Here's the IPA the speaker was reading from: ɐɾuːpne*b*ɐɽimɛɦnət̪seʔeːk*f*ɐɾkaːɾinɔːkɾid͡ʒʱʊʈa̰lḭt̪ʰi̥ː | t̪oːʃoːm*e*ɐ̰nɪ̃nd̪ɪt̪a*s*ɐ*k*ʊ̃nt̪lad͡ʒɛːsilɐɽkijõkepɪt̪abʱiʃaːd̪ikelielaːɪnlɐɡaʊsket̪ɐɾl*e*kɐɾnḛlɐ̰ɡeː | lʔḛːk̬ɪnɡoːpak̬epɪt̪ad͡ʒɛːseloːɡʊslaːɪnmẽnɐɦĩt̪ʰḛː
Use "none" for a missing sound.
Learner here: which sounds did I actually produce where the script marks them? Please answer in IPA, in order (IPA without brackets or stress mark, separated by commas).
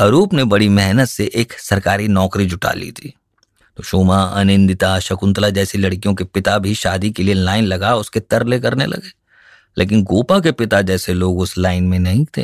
b, s, a, ʃ, k, e